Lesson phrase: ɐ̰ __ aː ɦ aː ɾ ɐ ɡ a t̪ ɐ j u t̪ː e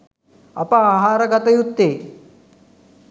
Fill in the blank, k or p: p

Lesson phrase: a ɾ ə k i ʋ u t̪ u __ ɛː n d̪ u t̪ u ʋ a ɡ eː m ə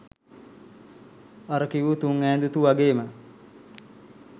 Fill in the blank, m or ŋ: ŋ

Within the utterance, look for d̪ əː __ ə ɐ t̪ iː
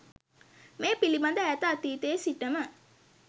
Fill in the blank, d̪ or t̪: t̪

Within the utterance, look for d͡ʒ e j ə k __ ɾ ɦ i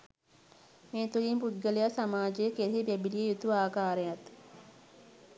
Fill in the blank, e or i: e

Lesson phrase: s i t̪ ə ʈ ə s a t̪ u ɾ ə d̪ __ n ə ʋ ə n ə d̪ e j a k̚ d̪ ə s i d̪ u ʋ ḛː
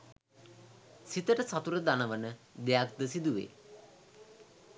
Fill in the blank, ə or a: a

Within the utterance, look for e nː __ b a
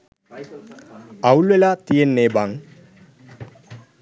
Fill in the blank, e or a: e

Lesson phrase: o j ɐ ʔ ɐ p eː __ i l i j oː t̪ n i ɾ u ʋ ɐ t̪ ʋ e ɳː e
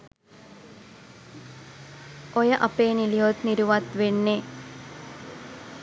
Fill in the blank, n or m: n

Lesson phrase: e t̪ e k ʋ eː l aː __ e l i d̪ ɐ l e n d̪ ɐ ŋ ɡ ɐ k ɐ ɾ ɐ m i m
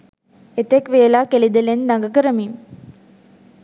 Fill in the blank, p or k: k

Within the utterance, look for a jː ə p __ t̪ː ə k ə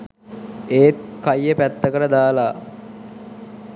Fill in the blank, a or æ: æ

